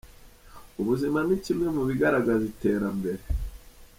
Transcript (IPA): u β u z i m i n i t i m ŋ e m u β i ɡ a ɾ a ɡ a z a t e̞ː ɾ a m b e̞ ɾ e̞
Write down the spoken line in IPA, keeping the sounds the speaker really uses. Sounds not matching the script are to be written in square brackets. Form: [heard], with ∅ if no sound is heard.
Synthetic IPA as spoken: u β u z i m [a] n i [c] i m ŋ e m u β i ɡ a ɾ a ɡ a z [i] t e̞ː ɾ a m b e̞ ɾ e̞